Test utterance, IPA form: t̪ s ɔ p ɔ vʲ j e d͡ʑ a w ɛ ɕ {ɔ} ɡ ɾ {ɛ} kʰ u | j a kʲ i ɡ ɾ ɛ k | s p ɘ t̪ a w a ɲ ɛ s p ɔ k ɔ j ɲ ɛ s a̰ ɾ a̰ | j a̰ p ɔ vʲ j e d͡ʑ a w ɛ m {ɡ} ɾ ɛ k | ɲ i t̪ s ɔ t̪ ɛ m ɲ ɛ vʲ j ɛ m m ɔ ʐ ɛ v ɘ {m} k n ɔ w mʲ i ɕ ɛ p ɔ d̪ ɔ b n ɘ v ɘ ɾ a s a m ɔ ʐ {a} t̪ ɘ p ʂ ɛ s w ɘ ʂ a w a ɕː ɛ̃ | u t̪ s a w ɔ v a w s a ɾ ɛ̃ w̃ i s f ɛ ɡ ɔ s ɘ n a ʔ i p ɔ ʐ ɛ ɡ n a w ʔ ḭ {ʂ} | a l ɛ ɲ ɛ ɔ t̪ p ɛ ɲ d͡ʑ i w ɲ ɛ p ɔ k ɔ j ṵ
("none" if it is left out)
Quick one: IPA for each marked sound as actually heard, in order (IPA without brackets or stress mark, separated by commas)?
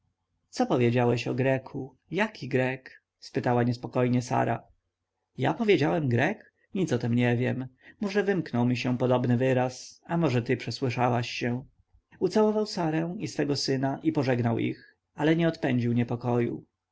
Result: ɔ, ɛ, ɡ, m, ɛ, x